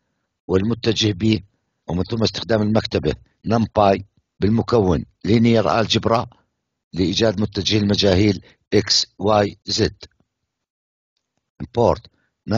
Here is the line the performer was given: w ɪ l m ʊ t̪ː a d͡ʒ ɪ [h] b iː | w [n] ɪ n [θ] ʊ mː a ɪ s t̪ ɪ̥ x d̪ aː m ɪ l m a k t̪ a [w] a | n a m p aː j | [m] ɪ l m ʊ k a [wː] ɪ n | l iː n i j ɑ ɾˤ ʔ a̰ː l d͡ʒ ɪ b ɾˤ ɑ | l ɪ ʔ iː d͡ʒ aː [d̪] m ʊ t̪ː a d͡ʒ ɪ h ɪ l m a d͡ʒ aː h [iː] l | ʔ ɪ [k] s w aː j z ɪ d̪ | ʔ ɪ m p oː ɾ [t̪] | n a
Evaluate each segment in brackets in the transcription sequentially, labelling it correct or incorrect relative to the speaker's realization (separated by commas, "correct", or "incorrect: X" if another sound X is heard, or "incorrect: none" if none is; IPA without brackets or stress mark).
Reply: correct, incorrect: m, correct, incorrect: b, incorrect: b, correct, correct, correct, correct, correct